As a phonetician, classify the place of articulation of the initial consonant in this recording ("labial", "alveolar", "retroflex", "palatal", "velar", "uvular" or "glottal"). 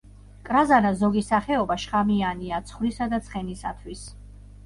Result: velar